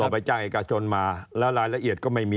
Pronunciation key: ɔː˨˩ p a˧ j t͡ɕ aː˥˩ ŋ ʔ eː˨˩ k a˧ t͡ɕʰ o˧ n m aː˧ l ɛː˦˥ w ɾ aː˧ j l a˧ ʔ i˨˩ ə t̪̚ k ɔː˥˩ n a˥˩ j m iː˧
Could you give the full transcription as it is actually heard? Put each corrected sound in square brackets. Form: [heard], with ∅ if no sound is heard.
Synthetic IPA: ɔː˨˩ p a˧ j t͡ɕ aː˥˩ ŋ ʔ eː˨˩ k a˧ t͡ɕʰ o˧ n m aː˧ l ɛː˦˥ w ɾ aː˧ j l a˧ ʔ i˨˩ ə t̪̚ k ɔː˥˩ [m] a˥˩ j m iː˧